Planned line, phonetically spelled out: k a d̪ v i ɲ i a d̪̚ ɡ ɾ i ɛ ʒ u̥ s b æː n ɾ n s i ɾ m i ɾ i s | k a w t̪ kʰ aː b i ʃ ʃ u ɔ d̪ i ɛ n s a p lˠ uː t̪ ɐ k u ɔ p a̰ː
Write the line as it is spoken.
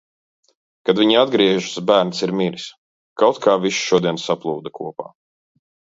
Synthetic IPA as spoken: k a d̪ v i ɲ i a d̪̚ ɡ ɾ i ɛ ʒ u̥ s b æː ɾ n s i ɾ m i ɾ i s | k a w t̪ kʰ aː v i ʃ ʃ u ɔ d̪ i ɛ n s a p lˠ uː d̪ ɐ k u ɔ p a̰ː